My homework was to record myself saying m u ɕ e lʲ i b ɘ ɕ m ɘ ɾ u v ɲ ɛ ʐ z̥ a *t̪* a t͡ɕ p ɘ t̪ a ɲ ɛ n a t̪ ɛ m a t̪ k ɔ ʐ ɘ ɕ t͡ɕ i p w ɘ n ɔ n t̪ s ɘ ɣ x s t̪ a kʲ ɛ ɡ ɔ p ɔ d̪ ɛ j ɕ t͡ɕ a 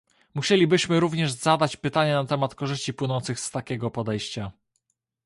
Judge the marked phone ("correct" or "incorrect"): incorrect